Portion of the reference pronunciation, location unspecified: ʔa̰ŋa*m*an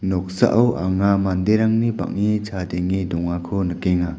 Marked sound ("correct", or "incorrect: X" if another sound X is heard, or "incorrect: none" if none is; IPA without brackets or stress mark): correct